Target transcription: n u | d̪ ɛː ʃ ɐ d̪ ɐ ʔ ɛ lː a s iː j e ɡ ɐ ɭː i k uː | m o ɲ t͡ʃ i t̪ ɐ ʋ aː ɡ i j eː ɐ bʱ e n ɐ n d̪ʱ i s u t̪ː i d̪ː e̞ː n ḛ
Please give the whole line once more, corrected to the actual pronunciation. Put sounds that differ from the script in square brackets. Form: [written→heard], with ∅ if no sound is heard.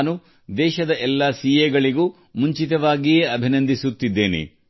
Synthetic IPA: n u | d̪ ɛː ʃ ɐ d̪ ɐ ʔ ɛ lː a s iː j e ɡ ɐ [ɭː→ɭ] i [k→ɡ] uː | m [o→u] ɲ t͡ʃ i t̪ ɐ ʋ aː ɡ i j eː ɐ bʱ [e→i] n ɐ n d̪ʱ i s u t̪ː i d̪ː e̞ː n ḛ